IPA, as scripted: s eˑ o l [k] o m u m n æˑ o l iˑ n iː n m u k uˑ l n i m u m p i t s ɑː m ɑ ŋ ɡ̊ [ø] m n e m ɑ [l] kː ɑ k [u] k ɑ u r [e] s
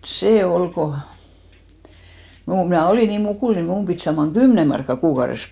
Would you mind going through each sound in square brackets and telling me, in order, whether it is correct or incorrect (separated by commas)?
correct, incorrect, incorrect, incorrect, correct